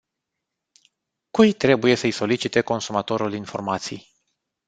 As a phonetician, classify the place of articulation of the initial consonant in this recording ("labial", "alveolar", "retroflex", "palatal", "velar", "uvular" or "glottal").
velar